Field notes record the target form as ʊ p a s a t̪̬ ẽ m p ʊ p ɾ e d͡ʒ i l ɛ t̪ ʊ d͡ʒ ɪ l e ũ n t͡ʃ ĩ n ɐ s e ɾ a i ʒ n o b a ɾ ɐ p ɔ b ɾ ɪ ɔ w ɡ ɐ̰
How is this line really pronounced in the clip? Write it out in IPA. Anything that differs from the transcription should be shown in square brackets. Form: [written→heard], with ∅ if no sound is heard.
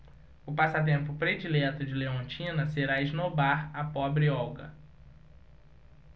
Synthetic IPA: ʊ p a s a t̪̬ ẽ m p ʊ p ɾ e d͡ʒ i l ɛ t̪ ʊ d͡ʒ ɪ l e [ũ→õ] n t͡ʃ ĩ n ɐ s e ɾ a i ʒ n o b a ɾ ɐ p ɔ b ɾ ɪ ɔ w ɡ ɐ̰